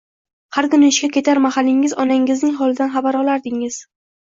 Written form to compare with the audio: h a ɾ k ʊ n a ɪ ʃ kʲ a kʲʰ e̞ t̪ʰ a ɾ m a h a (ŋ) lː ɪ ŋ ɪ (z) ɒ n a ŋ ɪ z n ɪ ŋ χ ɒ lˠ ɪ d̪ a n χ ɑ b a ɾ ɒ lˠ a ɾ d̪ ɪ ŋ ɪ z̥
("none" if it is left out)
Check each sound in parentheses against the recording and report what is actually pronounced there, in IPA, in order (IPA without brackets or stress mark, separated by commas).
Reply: none, z